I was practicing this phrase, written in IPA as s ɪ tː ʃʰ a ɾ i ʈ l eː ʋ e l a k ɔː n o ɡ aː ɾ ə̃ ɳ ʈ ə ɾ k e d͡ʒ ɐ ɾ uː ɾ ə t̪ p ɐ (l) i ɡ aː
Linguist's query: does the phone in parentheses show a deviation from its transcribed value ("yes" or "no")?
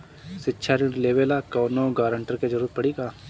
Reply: yes